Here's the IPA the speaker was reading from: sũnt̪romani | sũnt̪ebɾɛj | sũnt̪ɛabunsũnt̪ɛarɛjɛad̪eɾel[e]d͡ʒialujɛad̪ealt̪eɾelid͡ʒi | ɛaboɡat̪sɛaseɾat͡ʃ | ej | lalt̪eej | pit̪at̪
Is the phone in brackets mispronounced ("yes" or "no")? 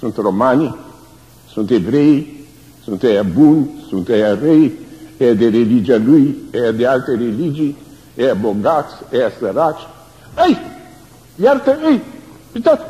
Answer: yes